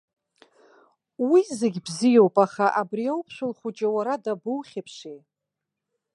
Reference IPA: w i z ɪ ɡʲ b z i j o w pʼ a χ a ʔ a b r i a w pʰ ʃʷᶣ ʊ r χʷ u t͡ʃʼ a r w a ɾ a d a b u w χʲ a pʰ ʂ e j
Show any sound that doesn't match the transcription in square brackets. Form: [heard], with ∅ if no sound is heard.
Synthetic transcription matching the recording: w i z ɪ ɡʲ b z i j o w pʼ a χ a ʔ a b r i a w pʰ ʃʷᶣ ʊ [l] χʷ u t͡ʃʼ a [∅] w a ɾ a d a b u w χʲ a pʰ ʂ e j